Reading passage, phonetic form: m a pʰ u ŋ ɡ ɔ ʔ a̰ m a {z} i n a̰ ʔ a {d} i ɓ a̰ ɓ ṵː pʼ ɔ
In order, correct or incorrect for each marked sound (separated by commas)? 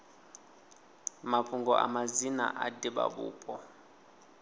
correct, correct